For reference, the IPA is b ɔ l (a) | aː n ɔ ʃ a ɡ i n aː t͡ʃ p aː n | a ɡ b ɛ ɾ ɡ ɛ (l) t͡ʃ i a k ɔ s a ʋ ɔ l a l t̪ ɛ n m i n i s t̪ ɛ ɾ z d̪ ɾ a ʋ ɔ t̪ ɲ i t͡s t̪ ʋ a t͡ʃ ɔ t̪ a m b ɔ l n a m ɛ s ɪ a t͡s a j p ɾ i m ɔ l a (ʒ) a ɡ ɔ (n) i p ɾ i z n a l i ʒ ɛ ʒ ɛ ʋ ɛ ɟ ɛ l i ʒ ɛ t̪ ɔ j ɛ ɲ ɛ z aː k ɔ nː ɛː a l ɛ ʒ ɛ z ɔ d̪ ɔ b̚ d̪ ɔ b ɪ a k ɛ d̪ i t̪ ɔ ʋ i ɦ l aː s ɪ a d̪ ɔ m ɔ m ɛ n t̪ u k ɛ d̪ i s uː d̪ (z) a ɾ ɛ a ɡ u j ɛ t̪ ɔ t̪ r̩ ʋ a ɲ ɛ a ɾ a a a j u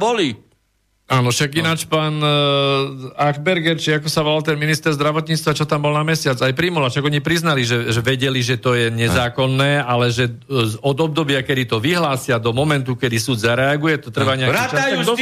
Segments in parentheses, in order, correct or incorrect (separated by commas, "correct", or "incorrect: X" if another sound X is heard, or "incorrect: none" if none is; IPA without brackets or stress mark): incorrect: i, incorrect: ɾ, incorrect: ʃ, incorrect: ɲ, correct